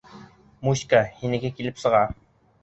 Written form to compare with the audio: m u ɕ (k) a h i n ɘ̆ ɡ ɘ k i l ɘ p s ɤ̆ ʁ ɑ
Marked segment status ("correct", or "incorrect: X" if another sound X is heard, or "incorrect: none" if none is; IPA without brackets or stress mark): correct